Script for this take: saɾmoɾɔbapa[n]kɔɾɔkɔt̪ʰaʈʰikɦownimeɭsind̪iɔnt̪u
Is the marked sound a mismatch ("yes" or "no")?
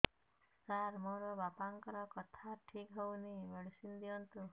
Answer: yes